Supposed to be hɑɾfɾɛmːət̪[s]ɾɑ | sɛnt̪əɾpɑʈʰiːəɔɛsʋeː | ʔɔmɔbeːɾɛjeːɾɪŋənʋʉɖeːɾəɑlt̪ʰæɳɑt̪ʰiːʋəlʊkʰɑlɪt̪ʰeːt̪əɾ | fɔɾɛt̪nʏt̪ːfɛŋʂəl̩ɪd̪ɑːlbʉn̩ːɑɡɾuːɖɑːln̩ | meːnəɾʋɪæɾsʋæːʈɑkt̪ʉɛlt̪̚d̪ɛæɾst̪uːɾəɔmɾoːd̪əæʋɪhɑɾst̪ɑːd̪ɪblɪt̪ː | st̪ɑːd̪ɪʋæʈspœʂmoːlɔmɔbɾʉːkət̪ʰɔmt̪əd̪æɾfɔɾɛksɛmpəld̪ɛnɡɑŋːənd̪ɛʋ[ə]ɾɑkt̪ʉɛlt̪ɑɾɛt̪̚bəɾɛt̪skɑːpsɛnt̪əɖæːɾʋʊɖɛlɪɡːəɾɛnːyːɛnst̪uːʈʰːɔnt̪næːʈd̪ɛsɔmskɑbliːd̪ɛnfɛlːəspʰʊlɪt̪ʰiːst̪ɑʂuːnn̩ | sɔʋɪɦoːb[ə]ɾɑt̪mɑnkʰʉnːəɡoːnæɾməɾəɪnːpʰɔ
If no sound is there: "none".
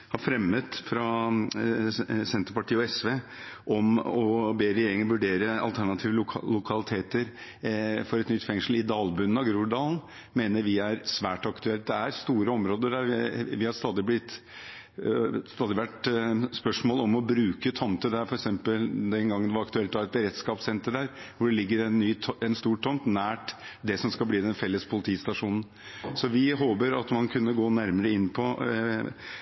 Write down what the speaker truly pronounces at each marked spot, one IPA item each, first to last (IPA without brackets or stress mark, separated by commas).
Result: f, ɑ, ə